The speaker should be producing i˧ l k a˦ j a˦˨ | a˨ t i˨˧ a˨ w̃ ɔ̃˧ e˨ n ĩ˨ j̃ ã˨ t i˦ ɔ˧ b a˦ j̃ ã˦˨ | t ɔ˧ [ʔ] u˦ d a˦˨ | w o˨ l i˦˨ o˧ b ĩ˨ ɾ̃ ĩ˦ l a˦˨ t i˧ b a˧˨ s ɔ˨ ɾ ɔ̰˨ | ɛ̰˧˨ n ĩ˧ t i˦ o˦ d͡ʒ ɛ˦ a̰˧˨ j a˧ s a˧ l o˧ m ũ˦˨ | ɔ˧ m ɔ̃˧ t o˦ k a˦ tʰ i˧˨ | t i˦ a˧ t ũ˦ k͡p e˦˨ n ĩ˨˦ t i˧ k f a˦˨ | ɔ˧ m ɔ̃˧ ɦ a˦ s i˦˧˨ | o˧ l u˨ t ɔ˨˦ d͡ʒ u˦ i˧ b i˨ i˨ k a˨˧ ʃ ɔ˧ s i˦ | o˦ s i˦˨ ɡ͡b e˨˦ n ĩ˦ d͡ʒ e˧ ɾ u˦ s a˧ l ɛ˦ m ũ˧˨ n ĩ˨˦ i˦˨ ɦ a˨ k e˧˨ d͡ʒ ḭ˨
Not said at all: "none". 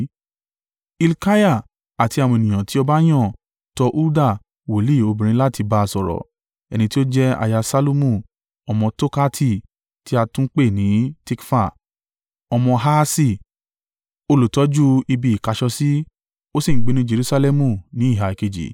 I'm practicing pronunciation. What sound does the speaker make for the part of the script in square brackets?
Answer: ʔ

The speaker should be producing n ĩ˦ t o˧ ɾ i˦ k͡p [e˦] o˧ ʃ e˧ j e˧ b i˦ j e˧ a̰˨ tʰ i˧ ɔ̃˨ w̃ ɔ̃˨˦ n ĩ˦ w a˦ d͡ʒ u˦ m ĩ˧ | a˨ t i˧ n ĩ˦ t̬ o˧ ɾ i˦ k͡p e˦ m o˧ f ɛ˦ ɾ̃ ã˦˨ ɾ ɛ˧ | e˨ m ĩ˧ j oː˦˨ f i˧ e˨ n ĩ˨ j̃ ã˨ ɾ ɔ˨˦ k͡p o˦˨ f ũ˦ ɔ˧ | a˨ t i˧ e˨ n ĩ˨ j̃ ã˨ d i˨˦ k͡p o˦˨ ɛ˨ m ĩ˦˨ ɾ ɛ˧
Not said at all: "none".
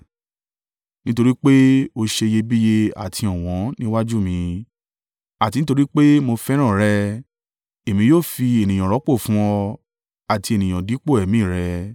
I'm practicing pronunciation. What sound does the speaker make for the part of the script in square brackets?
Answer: e˦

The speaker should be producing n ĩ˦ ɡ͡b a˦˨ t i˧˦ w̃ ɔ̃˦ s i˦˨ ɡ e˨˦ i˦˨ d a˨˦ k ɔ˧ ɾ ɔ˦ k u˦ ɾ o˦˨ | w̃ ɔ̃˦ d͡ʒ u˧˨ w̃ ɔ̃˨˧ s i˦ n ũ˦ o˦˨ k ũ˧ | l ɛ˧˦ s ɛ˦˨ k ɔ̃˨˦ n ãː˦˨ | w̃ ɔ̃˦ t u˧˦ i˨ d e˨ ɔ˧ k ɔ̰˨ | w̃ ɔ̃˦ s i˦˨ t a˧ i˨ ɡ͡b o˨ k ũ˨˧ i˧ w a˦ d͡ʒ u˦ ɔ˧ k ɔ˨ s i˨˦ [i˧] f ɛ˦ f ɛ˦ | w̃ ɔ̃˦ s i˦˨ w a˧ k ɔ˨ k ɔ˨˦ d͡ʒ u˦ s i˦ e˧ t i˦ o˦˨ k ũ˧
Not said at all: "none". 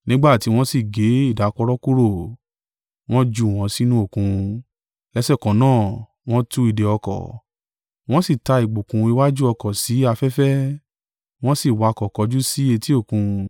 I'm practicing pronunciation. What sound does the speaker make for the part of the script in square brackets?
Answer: a˧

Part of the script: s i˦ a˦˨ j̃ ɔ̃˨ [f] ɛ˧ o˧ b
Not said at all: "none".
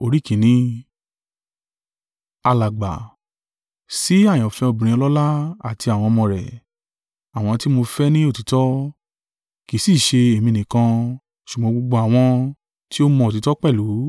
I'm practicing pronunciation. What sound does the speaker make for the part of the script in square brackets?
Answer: f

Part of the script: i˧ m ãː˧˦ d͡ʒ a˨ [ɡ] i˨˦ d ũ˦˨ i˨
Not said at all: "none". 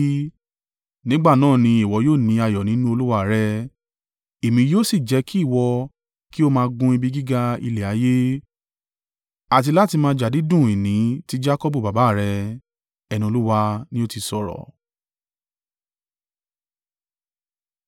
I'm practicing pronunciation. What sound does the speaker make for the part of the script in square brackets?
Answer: d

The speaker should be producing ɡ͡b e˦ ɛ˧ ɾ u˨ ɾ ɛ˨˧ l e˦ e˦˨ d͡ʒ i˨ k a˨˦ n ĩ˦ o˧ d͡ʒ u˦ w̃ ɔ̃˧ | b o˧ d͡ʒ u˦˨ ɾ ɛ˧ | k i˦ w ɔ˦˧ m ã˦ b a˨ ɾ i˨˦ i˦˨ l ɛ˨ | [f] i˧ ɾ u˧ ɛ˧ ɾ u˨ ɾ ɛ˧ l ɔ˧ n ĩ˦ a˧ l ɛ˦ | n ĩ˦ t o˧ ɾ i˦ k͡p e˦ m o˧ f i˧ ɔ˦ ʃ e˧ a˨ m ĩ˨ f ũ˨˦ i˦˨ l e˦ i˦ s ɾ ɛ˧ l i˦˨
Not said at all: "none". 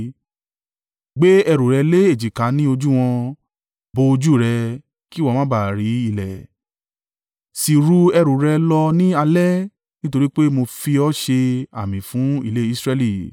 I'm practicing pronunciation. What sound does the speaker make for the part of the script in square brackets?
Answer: s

